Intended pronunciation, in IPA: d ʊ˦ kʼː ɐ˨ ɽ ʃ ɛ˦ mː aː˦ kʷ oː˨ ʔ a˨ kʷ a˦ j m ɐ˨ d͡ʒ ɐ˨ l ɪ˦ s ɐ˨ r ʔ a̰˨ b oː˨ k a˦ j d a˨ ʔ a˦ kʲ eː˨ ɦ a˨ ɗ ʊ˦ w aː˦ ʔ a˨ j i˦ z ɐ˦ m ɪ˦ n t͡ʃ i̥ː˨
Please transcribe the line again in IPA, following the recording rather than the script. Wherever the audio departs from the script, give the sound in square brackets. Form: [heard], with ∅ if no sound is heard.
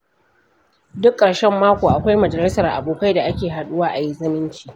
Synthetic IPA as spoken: d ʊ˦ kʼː ɐ˨ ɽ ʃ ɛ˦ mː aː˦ kʷ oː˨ ʔ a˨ kʷ a˦ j m ɐ˨ d͡ʒ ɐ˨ l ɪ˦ s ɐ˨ r ʔ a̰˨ b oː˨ k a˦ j d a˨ ʔ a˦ kʲ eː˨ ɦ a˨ ɗ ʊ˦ w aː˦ ʔ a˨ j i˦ z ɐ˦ m ɪ˦ n t͡ʃ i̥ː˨

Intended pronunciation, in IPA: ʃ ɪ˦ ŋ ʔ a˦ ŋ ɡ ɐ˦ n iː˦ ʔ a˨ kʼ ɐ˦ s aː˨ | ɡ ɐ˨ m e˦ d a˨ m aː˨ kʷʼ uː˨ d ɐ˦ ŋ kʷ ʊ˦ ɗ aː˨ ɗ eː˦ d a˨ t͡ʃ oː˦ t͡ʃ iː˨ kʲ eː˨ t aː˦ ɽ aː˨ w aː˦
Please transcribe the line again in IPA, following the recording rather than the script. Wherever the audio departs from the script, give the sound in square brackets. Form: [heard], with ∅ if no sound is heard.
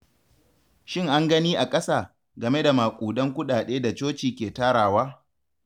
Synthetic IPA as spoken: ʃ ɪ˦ ŋ ʔ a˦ ŋ ɡ ɐ˦ n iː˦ ʔ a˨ kʼ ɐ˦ s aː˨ | ɡ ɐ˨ m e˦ d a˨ m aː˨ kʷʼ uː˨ d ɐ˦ ŋ kʷ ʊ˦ ɗ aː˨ ɗ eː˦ d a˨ t͡ʃ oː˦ t͡ʃ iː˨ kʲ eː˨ t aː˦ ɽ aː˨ w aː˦

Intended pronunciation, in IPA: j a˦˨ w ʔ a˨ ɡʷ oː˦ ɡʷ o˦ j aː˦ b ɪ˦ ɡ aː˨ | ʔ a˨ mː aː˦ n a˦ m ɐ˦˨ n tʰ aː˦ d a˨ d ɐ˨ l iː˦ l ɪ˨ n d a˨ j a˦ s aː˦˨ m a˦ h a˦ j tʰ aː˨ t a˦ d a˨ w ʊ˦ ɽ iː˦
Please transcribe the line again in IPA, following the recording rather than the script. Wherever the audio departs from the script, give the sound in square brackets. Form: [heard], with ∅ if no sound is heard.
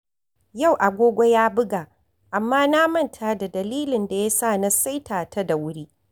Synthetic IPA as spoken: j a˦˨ w ʔ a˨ ɡʷ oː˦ ɡʷ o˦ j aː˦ b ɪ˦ ɡ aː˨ | ʔ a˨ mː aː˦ n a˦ m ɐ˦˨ n tʰ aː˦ d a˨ d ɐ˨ l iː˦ l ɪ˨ n d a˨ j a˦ s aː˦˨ [n] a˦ [s] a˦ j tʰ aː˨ t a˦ d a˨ w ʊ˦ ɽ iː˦

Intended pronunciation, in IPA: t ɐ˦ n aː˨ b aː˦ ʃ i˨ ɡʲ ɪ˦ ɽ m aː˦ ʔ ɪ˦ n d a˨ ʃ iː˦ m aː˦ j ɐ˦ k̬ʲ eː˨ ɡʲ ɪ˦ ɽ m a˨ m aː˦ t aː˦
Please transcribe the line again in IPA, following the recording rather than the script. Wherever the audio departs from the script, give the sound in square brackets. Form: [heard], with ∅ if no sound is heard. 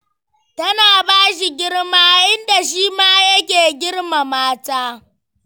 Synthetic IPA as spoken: t ɐ˦ n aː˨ b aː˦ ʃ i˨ ɡʲ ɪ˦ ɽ m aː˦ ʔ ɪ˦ n d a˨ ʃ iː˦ m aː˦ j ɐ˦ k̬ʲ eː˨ ɡʲ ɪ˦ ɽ m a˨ m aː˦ t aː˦

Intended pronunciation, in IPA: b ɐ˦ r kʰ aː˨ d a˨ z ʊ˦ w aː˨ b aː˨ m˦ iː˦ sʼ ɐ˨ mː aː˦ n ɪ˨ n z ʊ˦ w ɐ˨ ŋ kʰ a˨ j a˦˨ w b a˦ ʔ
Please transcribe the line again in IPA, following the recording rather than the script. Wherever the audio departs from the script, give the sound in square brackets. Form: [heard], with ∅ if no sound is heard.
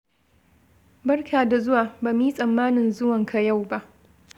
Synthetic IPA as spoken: b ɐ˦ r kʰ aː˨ d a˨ z ʊ˦ w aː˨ b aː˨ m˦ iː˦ sʼ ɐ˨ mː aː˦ n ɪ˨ n z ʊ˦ w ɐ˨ ŋ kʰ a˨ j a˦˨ w b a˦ ʔ

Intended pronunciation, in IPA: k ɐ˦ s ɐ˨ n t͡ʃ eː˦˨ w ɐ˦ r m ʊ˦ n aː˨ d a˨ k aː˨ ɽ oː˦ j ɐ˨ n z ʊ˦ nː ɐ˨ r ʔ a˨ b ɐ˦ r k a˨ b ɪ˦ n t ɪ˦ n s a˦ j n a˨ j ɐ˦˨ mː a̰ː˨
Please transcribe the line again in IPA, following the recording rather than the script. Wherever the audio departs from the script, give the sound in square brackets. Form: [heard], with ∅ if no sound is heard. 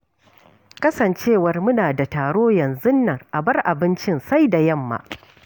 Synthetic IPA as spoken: k ɐ˦ s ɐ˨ n t͡ʃ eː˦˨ w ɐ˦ r m ʊ˦ n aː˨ d a˨ [t] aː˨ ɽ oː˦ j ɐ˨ n z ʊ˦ nː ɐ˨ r ʔ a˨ b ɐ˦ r [ʔ] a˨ b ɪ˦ n [t͡ʃ] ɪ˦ n s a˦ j [d] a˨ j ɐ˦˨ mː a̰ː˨

